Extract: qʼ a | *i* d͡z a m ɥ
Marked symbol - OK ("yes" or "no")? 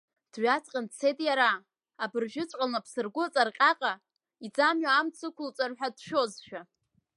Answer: yes